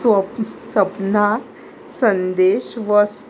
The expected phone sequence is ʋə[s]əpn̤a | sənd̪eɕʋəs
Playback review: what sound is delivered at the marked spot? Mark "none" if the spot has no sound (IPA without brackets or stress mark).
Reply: s